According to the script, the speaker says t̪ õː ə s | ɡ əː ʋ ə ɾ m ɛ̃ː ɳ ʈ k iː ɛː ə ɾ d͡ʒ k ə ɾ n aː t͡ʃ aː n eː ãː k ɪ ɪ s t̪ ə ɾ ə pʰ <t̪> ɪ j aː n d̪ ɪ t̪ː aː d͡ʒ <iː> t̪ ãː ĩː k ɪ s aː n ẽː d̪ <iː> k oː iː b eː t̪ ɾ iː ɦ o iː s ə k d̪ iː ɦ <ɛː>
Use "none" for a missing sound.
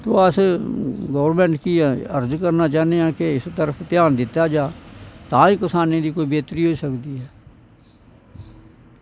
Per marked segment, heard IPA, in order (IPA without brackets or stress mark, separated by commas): t̪, aː, iː, ɛː